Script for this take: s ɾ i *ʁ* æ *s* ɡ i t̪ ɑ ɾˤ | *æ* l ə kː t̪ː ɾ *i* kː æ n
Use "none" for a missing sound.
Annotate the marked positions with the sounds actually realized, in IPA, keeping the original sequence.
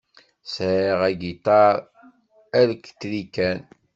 ʁ, none, æ, i

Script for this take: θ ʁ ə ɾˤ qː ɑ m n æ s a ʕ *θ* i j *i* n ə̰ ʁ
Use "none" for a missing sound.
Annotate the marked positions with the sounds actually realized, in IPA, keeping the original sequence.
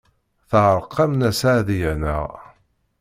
ð, æ

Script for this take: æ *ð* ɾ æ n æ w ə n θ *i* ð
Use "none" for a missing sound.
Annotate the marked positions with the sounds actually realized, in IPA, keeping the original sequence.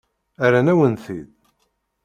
none, i

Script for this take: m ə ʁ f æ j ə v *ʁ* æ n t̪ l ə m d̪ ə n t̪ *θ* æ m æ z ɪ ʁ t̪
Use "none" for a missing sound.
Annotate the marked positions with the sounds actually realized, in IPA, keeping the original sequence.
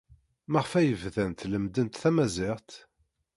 ð, θ

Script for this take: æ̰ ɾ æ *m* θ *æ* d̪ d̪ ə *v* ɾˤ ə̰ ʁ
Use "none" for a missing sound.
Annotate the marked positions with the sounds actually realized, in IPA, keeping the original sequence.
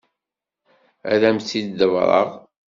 m, i, v

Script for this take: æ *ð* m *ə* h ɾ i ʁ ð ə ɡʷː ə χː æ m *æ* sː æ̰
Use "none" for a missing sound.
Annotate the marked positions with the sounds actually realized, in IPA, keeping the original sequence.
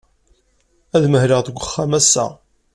ð, ə, æ

